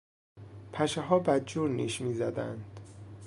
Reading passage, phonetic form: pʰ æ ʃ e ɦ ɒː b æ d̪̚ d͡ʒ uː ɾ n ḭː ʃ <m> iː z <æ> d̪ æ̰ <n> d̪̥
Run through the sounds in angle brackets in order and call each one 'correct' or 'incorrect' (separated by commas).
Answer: correct, correct, correct